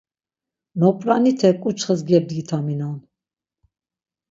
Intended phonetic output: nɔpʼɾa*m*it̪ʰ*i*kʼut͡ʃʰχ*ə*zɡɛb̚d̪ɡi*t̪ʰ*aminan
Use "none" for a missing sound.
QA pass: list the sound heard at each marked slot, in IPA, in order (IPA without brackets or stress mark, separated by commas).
n, ɛ, ə, t̪ʰ